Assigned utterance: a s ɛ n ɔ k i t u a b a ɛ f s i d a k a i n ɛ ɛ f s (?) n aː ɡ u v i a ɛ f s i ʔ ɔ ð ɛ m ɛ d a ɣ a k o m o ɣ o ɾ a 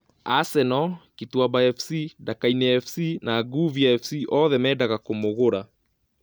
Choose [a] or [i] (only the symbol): i